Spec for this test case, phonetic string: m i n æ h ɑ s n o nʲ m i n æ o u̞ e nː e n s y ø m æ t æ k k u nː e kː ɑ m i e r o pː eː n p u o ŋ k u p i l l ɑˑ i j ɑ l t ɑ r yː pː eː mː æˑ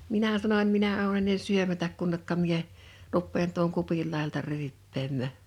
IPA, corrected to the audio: m i n æ s ɑ n o nʲ m i n æ o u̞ e nː e n s y ø m æ t æ k k u nː e kː ɑ m i e r u pː eː n t u o ŋ k u p i l l ɑˑ i j ɑ l t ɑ r yː pː eː mː æˑ